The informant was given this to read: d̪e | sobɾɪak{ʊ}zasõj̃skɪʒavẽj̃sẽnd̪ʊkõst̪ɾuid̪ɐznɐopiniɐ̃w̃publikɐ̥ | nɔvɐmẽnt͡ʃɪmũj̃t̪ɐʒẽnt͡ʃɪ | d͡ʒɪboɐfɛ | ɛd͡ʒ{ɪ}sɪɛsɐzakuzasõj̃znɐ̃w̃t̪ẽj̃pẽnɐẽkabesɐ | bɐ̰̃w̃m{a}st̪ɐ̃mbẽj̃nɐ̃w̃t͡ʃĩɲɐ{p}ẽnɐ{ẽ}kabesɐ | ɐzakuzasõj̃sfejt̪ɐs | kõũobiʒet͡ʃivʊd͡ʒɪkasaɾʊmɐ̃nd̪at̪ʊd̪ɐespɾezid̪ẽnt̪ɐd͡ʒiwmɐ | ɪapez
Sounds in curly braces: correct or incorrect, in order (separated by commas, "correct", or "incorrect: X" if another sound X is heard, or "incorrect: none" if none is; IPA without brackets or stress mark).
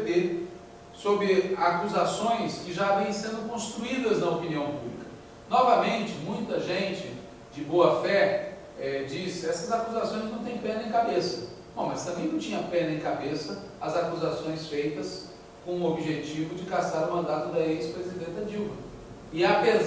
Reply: incorrect: u, incorrect: i, incorrect: ɐ, correct, correct